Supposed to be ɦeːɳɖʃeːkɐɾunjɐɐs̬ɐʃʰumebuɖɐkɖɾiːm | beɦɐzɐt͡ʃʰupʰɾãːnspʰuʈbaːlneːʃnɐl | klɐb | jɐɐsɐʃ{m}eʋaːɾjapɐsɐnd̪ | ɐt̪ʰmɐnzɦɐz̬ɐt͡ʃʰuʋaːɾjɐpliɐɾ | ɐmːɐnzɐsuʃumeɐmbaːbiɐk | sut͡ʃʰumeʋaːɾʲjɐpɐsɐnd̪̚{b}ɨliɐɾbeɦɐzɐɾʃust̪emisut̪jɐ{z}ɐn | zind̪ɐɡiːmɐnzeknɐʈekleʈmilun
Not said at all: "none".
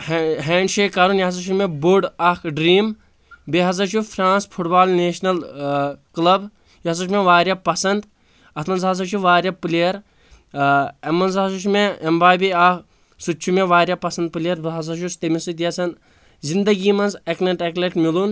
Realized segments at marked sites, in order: m, p, s

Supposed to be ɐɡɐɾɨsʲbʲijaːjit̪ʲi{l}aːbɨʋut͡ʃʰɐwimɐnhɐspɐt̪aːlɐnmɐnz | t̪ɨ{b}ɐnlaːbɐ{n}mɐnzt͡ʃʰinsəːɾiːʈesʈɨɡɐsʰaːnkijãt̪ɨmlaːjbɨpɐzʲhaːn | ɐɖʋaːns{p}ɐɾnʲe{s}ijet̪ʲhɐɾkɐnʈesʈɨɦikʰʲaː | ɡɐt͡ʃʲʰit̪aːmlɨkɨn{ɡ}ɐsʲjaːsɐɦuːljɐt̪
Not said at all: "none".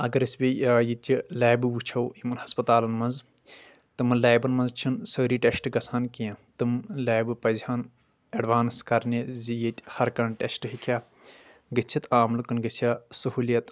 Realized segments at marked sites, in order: l, m, n, k, z, ɡ

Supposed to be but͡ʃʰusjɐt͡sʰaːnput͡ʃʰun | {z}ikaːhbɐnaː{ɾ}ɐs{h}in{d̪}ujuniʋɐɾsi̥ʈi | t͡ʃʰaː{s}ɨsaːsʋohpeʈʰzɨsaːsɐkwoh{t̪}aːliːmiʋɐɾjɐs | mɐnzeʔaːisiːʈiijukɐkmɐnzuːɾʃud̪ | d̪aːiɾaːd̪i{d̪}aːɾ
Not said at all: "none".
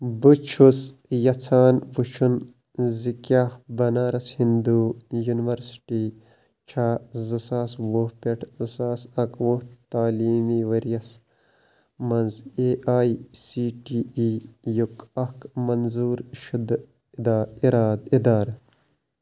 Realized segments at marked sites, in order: z, ɾ, h, d̪, z, t̪, d̪

